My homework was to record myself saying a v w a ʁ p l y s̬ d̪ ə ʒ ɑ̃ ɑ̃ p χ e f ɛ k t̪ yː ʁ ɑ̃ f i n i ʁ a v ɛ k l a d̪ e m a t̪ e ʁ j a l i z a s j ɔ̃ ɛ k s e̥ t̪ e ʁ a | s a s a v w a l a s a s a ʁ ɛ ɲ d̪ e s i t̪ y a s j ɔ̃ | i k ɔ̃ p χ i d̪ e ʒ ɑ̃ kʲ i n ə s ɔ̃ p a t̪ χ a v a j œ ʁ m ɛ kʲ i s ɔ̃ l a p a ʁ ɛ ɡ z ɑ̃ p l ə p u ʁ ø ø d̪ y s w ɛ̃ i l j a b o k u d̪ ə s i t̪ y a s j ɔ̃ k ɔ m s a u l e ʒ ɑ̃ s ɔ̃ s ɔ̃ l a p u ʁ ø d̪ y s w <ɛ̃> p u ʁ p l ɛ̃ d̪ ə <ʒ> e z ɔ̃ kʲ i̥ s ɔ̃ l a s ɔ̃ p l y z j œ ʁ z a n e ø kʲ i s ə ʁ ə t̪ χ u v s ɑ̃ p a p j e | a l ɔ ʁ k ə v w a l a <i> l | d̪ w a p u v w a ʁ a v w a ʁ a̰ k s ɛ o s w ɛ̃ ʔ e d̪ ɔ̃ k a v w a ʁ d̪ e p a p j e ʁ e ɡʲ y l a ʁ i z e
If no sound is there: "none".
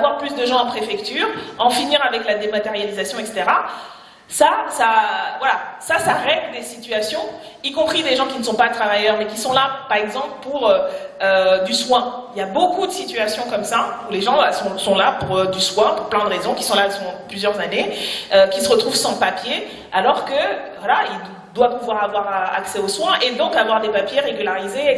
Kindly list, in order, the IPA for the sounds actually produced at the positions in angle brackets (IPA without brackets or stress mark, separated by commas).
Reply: ɛ̃, ʁ, i